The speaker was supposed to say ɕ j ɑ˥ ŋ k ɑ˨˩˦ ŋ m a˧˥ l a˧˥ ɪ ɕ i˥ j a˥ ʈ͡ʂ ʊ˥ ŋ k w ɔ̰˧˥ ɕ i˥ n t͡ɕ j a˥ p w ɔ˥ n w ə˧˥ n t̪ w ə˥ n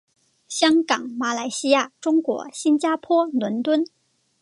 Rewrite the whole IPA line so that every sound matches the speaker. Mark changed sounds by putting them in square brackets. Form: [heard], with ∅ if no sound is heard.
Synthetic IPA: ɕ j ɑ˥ ŋ k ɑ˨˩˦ ŋ m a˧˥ l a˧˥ ɪ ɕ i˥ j [a˥˩] ʈ͡ʂ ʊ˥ ŋ k w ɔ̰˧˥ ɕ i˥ n t͡ɕ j a˥ [pʰ] w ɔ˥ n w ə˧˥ n t̪ w ə˥ n